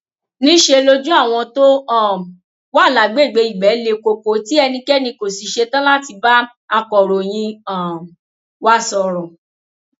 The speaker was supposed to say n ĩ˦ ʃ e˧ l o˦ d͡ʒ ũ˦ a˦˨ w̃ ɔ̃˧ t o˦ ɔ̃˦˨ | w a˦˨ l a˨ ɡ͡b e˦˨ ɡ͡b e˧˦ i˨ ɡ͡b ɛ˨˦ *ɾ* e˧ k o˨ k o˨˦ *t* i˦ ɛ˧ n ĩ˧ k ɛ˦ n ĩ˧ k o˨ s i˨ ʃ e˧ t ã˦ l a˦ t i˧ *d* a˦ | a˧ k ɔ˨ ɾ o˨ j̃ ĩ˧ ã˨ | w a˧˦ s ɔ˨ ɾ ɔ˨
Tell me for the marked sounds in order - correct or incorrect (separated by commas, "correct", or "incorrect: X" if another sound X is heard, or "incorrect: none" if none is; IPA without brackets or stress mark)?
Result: incorrect: l, correct, incorrect: b